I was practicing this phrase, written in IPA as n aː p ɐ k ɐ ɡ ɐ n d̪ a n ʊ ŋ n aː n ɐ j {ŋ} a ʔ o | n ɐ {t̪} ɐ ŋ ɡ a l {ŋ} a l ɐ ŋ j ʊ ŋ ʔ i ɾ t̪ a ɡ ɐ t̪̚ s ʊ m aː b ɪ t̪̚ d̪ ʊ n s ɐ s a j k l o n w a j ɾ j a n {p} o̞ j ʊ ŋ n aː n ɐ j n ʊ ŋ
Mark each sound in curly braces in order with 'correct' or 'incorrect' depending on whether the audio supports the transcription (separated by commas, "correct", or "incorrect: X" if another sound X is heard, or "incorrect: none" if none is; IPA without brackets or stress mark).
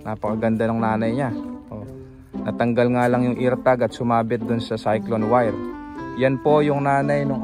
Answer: incorrect: ɲ, correct, correct, correct